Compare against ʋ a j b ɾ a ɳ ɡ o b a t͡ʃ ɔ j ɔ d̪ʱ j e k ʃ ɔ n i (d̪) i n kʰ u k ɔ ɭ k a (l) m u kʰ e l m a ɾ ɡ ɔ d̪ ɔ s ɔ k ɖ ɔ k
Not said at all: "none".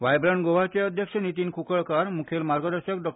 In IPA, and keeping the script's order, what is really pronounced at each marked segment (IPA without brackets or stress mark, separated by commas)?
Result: t̪, ɾ